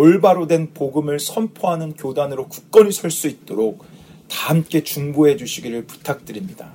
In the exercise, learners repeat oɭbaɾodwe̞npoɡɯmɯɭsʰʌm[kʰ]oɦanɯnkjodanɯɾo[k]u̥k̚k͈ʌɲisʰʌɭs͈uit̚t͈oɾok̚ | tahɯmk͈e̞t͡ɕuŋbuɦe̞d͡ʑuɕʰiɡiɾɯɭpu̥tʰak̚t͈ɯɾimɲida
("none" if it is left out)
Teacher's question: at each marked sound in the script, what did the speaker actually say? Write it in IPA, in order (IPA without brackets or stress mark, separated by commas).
pʰ, k